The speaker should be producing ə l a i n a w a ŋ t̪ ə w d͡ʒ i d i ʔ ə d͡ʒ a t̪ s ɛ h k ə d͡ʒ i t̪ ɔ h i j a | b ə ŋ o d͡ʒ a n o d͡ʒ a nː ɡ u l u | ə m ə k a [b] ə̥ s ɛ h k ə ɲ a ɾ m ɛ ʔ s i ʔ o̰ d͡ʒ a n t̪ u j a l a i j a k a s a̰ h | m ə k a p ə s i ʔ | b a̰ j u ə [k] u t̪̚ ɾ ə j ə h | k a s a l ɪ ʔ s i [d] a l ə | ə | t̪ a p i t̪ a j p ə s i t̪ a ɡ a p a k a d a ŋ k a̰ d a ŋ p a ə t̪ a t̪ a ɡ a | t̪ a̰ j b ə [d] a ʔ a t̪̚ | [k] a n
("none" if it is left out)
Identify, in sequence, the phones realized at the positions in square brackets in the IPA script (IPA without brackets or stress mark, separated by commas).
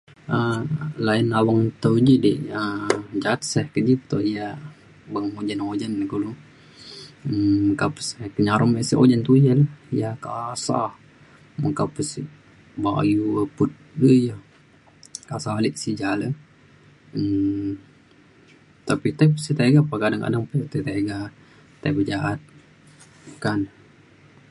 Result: p, p, d͡ʒ, d͡ʒ, k